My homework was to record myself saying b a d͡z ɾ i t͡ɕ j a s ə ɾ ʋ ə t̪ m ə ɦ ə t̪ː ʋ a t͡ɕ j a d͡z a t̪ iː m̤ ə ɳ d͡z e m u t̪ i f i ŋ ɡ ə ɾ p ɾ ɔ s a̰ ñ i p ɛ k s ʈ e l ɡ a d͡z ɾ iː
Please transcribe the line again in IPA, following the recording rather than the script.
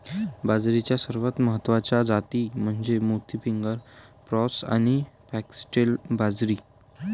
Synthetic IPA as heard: b a d͡z ɾ i t͡ɕ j a s ə ɾ ʋ ə t̪ m ə ɦ ə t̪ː ʋ a t͡ɕ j a d͡z a t̪ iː m̤ ə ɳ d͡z e m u t̪ i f i ŋ ɡ ə ɾ p ɾ ɔ s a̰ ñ i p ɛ k s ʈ e l b a d͡z ɾ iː